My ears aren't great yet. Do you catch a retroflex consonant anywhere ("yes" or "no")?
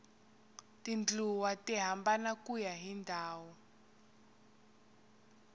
no